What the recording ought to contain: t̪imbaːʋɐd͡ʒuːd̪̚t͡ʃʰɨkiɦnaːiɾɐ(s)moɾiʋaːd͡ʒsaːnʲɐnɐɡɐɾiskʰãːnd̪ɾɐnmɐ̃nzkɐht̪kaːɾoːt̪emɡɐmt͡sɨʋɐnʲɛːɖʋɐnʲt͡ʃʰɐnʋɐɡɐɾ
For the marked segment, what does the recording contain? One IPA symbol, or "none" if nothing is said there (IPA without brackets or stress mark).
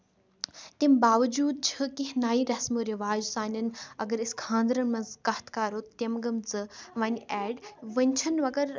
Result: s